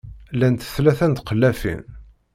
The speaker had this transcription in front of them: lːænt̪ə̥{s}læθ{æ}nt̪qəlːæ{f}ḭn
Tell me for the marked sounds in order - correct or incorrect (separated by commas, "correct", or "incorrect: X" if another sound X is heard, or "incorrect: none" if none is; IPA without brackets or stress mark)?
incorrect: θ, correct, correct